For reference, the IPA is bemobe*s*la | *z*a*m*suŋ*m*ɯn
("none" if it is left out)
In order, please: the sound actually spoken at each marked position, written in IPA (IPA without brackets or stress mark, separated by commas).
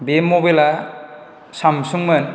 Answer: none, s, m, m